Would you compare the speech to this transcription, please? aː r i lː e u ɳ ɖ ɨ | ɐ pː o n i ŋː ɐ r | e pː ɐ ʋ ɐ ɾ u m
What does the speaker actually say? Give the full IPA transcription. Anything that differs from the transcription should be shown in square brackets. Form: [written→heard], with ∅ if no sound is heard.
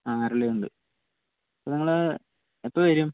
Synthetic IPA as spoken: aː r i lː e u ɳ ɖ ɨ | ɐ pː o n i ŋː ɐ [r→ɭ] | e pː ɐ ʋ ɐ ɾ u m